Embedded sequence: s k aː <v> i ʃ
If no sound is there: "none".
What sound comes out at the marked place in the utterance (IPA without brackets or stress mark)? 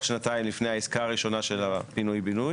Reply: ʁ